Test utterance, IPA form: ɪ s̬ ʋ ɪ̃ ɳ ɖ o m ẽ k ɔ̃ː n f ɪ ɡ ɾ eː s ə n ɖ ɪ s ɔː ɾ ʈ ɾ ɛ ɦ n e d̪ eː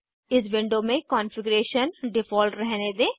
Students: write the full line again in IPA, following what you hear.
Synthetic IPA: ɪ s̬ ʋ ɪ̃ ɳ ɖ o m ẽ k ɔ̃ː n f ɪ ɡ ɾ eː ʃ ə n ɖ ɪ f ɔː l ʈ ɾ ɛ ɦ n e d̪ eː

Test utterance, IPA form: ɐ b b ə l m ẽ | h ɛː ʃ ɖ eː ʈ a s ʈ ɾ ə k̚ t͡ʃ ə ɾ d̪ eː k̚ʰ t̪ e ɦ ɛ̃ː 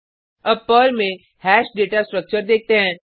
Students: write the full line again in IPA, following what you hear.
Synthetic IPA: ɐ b p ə l m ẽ | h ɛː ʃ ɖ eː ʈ a s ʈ ɾ ə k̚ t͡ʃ ə ɾ d̪ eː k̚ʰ t̪ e ɦ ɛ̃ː

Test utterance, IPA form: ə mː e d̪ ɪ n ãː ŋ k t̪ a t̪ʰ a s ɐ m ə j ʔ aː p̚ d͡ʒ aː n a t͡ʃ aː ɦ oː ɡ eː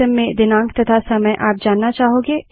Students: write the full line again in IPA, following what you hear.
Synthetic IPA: ə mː ẽ d̪ ɪ n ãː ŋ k t̪ ɐ t̪ʰ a s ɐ m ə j ʔ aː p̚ d͡ʒ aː nː a t͡ʃ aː ɦ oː ɡ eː

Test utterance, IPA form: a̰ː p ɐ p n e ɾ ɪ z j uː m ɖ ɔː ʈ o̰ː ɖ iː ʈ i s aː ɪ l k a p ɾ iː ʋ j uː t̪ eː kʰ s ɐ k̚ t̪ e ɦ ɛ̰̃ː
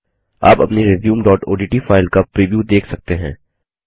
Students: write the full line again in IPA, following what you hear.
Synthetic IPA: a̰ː p ɐ p n i ɾ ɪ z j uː m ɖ ɔː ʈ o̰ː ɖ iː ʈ i f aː ɪ l k a p ɾ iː ʋ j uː d̪ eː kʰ s ɐ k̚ t̪ e ɦ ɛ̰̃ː

